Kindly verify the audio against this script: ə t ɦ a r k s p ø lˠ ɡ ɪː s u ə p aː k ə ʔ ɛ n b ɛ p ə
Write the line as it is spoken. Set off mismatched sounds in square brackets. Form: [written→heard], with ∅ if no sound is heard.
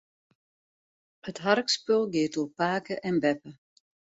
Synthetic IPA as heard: ə t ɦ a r k s p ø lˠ ɡ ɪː [s→t] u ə p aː k ə ʔ ɛ n b ɛ p ə